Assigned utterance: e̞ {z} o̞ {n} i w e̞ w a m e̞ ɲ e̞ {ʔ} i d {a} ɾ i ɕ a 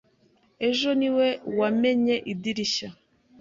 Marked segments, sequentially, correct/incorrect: incorrect: ʒ, correct, correct, incorrect: i

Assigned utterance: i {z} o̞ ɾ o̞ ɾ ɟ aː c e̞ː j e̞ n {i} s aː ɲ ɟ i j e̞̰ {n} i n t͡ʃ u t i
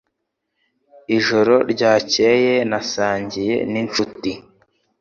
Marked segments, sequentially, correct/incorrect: incorrect: ʒ, incorrect: a, correct

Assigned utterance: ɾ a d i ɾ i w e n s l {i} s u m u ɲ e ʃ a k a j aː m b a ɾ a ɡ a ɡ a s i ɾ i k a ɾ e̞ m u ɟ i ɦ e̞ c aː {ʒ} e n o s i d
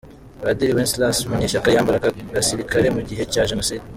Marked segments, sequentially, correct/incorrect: incorrect: a, correct

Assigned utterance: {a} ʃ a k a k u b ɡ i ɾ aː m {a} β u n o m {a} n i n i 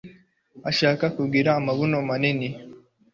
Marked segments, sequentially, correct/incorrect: correct, correct, correct

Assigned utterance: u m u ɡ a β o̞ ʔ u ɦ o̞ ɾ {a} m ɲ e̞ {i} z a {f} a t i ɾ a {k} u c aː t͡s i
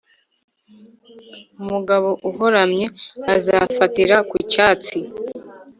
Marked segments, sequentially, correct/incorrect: correct, incorrect: a, correct, correct

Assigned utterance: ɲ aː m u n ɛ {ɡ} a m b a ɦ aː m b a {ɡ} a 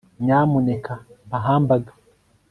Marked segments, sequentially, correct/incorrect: incorrect: k, correct

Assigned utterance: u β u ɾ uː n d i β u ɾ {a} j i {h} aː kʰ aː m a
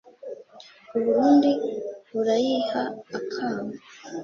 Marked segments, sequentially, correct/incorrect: correct, correct

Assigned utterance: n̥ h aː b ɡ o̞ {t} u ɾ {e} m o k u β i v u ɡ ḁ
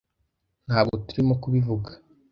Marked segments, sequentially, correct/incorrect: correct, incorrect: i

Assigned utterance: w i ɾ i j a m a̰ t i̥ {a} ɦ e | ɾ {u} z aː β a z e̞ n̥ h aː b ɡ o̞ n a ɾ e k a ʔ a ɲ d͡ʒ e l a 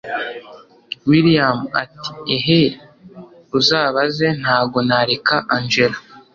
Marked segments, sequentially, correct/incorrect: incorrect: e, correct

